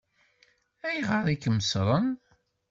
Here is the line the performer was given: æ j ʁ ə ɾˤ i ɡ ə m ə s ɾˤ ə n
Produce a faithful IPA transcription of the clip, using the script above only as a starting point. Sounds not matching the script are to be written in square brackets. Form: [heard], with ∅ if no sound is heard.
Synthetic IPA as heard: æ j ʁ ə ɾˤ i [k] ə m ə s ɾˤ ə n